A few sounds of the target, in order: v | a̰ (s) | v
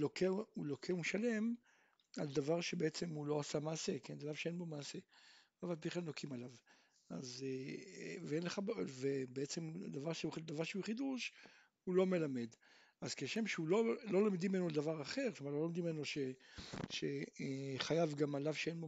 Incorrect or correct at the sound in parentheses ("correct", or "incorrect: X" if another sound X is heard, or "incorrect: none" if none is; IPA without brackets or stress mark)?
incorrect: z